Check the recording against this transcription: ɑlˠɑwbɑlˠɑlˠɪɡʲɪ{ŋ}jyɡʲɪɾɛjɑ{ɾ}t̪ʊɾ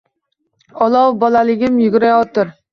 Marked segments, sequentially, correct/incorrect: incorrect: m, incorrect: none

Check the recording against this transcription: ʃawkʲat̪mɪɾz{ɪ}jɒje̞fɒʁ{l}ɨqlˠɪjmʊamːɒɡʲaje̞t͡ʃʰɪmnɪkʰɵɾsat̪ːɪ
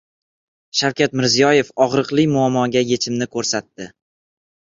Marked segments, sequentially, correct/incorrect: incorrect: i, incorrect: ɾ

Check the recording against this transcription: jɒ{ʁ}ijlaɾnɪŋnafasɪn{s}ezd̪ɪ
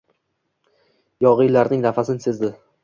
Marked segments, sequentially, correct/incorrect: correct, correct

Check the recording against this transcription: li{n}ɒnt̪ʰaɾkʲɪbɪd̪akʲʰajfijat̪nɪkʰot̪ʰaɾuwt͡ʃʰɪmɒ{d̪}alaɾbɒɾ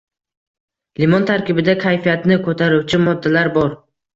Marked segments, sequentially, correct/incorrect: incorrect: m, incorrect: d̪ː

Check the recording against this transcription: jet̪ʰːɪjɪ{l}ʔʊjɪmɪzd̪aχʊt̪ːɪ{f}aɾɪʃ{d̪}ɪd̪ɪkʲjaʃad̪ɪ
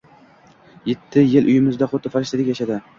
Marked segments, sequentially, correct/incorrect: correct, correct, incorrect: t̪

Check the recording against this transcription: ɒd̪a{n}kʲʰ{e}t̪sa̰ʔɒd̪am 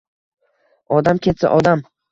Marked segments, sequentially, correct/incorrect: incorrect: m, correct

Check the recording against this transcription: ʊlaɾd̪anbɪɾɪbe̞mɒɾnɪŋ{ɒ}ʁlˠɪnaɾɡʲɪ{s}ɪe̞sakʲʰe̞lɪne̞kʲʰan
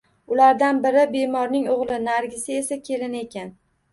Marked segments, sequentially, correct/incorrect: incorrect: o, correct

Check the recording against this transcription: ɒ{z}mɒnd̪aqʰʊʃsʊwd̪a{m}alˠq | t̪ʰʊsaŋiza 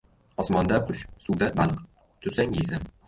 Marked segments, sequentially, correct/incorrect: incorrect: s, incorrect: b

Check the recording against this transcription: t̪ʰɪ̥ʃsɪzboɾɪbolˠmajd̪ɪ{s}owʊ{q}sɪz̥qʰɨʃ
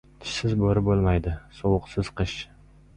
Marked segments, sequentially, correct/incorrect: correct, correct

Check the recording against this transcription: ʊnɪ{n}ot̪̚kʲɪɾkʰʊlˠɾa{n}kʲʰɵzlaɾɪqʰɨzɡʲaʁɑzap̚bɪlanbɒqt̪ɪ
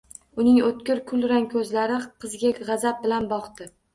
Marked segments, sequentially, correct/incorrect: incorrect: ŋ, incorrect: ŋ

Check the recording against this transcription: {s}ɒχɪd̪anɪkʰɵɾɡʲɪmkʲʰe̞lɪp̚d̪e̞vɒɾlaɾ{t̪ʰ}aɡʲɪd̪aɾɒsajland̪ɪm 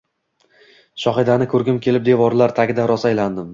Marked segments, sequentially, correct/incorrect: incorrect: ʃ, correct

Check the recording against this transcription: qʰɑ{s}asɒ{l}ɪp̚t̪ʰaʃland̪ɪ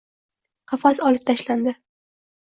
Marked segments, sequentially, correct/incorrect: incorrect: f, correct

